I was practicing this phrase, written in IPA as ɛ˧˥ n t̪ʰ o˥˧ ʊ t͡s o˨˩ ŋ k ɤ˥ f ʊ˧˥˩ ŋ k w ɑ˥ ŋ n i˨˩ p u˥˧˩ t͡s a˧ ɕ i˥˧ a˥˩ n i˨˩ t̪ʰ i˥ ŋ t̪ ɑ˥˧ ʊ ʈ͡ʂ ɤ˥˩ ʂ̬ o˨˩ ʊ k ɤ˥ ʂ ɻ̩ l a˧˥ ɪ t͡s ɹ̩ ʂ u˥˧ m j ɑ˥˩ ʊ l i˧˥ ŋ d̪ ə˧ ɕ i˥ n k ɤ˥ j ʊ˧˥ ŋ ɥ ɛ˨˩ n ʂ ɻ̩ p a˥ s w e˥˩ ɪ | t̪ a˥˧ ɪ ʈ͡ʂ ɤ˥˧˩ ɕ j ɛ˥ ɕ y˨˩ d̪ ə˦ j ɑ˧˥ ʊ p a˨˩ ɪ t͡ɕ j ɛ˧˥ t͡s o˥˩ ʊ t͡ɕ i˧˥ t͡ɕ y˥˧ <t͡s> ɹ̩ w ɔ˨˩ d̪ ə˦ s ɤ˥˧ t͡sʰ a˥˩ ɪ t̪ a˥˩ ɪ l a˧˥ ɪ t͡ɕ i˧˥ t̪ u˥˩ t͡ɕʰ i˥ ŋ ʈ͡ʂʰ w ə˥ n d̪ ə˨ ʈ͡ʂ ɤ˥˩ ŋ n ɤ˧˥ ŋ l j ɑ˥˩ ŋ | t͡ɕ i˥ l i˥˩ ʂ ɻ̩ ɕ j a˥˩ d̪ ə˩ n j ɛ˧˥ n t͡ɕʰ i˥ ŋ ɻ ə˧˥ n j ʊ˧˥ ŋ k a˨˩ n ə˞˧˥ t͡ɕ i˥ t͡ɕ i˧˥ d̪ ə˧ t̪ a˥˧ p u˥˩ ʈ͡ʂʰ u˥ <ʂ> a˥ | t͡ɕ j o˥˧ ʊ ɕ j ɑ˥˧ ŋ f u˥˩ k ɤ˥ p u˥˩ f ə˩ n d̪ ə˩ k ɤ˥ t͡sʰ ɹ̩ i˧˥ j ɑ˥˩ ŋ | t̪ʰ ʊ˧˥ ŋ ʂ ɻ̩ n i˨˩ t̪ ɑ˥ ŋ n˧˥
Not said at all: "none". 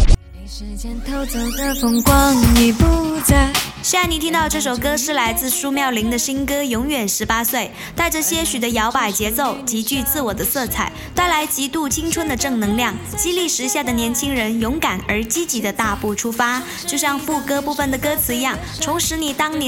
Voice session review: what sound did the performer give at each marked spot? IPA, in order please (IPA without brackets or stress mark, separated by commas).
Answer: t͡s, f